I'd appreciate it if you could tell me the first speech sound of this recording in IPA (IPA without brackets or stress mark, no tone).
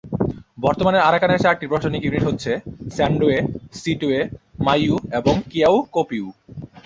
b